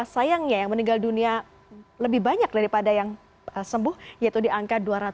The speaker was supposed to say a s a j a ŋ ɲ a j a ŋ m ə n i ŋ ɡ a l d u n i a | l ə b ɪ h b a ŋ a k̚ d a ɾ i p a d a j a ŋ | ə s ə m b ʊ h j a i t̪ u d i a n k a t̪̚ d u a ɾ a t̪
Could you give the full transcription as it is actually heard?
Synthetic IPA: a s a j a ŋ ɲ a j a ŋ m ə n i ŋ ɡ a l d u n i a | l ə b ɪ h b a ɲ a k̚ d a ɾ i p a d a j a ŋ | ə s ə m b ʊ h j a i t̪ u d i a ŋ k a t̪̚ d u a ɾ a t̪